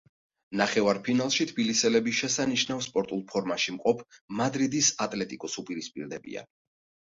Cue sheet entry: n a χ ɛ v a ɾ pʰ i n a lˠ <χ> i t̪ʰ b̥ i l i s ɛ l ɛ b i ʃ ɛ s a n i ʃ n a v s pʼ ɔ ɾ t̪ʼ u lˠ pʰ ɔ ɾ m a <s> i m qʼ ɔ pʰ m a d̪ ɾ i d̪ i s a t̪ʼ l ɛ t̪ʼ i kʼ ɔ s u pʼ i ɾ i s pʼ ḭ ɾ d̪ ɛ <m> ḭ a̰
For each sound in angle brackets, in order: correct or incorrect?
incorrect: ʃ, incorrect: ʃ, incorrect: b

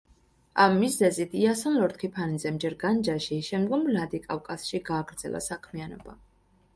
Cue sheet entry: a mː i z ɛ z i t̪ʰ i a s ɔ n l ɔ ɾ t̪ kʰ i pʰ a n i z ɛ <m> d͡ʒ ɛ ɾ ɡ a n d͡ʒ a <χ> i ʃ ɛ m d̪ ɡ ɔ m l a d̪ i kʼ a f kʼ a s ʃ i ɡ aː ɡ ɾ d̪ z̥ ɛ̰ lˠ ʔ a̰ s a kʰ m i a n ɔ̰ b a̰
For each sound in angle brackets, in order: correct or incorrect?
correct, incorrect: ʃ

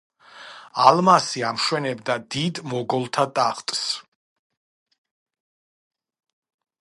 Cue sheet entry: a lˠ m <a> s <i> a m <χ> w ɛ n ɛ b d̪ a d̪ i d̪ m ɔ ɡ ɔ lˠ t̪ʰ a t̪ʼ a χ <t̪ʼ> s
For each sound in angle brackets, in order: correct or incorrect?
correct, correct, incorrect: ʃ, correct

